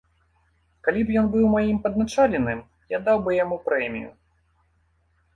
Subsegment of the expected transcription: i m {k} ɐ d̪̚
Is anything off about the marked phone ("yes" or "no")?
yes